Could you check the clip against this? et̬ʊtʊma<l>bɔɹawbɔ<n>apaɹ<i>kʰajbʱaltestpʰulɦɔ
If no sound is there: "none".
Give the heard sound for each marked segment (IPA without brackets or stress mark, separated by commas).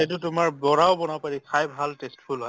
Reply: ɹ, n, i